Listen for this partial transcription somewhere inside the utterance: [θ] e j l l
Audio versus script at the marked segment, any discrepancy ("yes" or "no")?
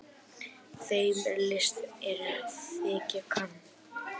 no